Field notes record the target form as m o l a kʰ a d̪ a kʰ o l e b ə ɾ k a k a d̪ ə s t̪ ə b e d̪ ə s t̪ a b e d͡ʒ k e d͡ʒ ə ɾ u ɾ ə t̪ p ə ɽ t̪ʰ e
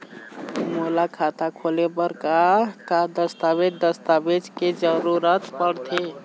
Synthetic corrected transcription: m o l a kʰ a t̪ a kʰ o l e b ə ɾ k a k a d̪ ə s t̪ a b e d̪ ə s t̪ a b e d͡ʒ k e d͡ʒ ə ɾ u ɾ ə t̪ p ə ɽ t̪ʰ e